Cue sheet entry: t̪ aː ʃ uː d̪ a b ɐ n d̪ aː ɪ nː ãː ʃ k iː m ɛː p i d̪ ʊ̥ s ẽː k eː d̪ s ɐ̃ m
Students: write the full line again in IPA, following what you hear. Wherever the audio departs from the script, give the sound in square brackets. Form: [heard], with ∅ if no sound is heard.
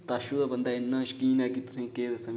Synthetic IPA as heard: t̪ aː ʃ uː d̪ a b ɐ n d̪ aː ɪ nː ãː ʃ k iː [n] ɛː [k] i [t̪] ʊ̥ s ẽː k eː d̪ s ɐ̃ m